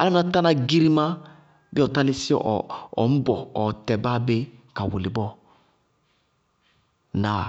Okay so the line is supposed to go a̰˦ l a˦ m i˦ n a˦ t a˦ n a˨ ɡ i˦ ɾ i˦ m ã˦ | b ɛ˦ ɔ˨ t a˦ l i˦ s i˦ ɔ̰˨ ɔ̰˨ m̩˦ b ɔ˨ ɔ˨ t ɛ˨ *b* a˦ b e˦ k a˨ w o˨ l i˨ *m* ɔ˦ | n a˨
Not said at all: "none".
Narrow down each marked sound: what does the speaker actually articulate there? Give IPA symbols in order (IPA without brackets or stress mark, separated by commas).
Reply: b, b